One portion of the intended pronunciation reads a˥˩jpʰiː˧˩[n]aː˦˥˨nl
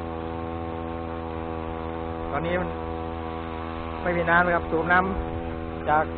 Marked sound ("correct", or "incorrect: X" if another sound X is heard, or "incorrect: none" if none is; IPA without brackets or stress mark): correct